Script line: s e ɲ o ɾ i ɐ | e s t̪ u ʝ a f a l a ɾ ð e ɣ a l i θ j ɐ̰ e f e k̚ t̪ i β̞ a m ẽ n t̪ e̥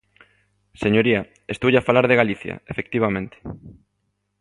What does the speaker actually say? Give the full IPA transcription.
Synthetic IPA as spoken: s e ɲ o ɾ i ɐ | e s t̪ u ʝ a f a l a ɾ ð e ɣ a l i θ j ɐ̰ e f e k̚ t̪ i β̞ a m ẽ n t̪ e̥